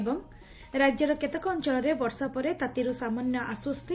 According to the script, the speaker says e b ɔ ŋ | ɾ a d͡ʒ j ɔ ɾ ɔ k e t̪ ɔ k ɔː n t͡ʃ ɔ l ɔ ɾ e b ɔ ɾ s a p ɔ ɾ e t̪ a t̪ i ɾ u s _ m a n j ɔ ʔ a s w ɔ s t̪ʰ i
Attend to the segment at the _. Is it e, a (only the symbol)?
a